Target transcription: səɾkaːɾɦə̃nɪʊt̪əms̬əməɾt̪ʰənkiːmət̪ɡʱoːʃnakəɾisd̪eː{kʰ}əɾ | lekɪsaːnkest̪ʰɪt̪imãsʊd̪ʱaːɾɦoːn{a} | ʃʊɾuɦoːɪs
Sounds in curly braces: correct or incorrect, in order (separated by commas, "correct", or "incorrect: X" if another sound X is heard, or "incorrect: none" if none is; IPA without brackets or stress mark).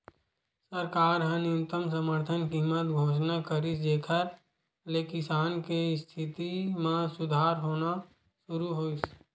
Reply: correct, correct